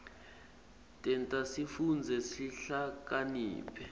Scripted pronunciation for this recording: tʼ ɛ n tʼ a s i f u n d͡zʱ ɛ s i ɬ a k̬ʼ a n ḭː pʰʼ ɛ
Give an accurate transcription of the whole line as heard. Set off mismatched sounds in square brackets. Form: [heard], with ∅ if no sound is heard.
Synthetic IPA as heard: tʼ ɛ n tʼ a s i f u n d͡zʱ ɛ s i ɬ a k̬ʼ a n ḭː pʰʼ ɛ